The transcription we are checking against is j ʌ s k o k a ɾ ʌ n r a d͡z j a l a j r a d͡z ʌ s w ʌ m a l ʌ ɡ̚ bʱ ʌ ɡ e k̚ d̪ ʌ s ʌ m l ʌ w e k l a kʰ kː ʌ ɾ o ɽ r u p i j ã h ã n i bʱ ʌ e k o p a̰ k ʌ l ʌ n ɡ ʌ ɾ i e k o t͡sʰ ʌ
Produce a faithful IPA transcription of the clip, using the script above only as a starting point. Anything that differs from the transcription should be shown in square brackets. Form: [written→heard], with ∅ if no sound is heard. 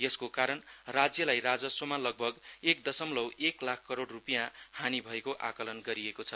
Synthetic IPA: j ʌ s k o k a ɾ ʌ n r a d͡z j [a→ʌ] l a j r a d͡z ʌ s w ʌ m a l ʌ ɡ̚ bʱ ʌ ɡ e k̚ d̪ ʌ s ʌ m l ʌ w e k l a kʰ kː ʌ ɾ o ɽ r u p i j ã h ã n i bʱ ʌ e k o [p→ʔ] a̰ k ʌ l ʌ n ɡ ʌ ɾ i e k o t͡sʰ ʌ